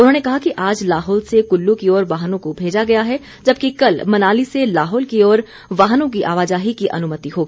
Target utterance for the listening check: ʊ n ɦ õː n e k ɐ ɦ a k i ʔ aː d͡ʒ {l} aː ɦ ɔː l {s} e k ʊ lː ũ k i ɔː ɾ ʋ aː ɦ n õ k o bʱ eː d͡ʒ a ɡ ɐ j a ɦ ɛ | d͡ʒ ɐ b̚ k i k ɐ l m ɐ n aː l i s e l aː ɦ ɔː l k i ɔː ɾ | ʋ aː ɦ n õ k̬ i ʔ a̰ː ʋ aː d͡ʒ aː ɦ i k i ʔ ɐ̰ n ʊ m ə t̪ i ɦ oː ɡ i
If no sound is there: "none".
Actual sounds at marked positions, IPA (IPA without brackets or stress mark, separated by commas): l, s